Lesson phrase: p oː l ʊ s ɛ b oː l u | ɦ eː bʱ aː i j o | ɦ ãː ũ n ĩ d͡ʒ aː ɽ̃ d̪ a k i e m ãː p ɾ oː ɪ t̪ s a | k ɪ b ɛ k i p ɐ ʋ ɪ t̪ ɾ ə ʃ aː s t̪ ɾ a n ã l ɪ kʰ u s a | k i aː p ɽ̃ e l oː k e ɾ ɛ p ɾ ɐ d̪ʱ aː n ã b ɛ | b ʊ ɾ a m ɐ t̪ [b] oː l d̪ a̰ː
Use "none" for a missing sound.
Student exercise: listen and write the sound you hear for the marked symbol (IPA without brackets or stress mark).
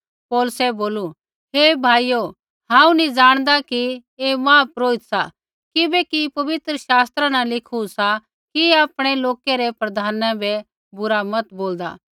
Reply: b